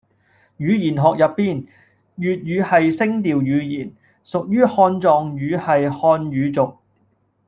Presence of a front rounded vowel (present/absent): present